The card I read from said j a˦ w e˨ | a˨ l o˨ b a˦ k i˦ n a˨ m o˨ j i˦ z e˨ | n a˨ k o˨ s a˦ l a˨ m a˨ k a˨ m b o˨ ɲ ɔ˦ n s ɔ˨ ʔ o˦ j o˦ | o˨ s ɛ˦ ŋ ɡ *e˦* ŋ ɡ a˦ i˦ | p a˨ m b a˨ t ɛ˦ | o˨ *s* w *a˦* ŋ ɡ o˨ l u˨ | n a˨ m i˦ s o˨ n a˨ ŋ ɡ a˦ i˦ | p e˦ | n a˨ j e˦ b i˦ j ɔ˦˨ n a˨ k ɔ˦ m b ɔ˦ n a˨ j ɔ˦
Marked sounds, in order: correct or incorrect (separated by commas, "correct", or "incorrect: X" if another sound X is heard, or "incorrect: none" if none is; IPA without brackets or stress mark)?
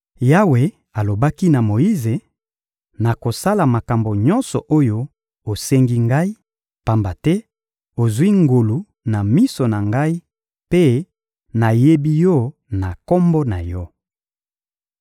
incorrect: i˦, incorrect: z, incorrect: i˦